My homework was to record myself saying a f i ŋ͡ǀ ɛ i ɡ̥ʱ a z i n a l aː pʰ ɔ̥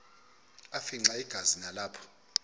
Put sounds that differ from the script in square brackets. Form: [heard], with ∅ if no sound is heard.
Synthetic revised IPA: a f i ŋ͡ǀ [a] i ɡ̥ʱ a z i n a l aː pʰ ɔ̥